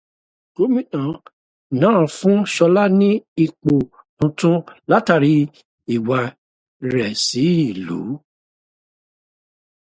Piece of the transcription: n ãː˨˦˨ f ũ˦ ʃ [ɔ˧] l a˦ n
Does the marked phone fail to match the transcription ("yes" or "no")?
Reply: no